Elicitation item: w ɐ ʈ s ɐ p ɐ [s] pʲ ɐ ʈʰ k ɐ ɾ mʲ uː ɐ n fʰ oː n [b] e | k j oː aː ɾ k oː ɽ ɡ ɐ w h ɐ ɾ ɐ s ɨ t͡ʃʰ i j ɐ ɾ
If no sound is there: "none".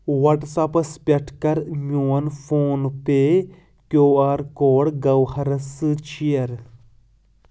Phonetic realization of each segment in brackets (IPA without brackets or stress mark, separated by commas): s, p